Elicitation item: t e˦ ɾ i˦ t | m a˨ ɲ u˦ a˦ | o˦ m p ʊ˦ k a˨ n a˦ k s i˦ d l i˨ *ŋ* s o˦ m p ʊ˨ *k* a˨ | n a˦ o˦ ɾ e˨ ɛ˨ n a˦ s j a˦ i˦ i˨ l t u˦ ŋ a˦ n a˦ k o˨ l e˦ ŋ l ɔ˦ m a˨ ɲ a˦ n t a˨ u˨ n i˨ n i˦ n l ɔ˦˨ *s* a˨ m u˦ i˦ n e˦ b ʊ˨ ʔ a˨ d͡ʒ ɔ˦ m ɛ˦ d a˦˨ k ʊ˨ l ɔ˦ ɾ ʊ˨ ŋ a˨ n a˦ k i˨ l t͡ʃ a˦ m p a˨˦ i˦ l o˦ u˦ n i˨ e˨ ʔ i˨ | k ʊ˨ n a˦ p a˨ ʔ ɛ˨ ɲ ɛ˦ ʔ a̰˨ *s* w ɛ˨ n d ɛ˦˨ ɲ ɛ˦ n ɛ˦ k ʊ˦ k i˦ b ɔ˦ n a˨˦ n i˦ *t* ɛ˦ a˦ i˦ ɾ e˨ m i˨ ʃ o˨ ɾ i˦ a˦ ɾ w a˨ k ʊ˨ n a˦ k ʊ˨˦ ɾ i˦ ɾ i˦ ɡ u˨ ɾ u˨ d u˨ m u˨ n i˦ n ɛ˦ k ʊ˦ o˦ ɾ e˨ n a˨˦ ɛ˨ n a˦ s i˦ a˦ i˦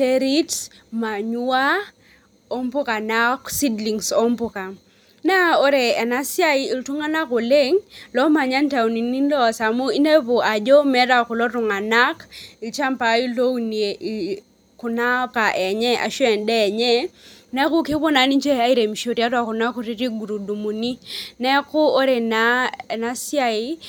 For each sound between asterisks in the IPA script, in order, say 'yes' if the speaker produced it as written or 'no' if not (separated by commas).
yes, yes, yes, no, no